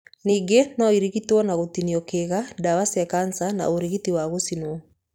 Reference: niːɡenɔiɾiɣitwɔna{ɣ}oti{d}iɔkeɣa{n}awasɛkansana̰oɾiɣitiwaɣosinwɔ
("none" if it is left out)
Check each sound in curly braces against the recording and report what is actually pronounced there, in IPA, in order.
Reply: ɣ, n, d

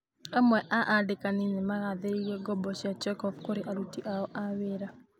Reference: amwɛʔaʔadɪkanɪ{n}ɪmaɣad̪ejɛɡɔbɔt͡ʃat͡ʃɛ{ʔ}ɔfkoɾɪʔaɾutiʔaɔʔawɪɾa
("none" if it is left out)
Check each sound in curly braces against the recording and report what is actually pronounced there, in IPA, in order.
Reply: n, k

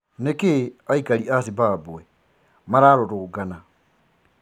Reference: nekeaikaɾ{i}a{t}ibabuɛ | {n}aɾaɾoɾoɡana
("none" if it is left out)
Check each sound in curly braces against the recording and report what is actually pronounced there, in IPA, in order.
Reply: i, s, m

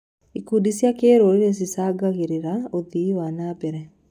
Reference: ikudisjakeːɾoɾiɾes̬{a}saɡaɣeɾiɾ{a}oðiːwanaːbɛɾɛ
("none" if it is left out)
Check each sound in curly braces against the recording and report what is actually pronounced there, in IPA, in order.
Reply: i, a

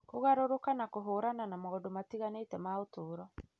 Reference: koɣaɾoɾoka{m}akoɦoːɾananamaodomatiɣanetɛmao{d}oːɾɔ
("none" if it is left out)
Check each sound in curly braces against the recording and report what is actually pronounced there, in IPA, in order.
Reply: n, t

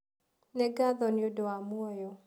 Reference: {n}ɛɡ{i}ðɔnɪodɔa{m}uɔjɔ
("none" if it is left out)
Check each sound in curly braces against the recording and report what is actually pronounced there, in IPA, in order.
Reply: n, a, m

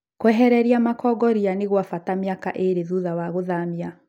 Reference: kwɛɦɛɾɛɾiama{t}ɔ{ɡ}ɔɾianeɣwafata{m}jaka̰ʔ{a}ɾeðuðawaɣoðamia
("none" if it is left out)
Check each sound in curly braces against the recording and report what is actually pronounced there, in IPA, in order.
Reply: k, ɡ, m, e

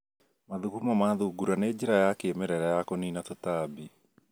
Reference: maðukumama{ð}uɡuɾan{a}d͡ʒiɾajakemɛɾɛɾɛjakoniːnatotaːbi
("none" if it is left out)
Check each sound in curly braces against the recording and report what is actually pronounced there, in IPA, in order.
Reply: ð, e

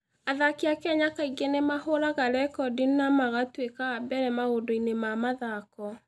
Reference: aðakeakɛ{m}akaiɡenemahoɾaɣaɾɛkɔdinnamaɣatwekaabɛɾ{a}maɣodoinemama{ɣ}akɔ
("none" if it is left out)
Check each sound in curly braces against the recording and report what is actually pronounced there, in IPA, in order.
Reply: ɲ, ɛ, ð

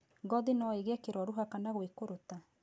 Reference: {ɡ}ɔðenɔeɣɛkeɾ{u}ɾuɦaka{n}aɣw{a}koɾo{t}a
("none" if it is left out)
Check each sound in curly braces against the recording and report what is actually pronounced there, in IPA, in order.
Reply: ɡ, ɔ, n, e, t

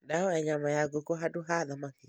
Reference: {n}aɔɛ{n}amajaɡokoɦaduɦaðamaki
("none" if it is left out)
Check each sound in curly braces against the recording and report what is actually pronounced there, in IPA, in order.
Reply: d, ɲ

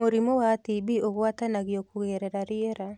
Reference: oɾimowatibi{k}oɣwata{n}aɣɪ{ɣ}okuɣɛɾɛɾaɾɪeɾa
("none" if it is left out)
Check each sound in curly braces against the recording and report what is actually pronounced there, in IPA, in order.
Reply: none, n, none

